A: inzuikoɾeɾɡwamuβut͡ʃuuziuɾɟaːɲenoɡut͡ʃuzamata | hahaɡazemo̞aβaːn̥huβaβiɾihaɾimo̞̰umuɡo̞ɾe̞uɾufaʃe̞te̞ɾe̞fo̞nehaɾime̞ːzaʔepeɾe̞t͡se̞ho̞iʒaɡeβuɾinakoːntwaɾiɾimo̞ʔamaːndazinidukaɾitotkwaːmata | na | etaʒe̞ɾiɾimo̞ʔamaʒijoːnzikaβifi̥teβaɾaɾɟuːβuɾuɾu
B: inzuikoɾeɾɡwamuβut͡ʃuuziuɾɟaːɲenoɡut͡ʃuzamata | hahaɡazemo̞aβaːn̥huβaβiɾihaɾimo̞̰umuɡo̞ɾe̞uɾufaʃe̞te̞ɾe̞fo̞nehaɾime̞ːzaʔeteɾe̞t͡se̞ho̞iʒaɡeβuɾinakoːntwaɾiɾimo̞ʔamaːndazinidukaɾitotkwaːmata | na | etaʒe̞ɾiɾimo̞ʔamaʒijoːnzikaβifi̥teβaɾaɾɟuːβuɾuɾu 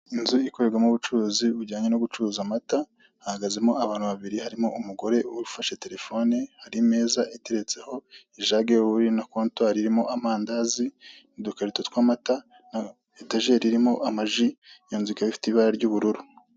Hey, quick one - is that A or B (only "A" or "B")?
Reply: B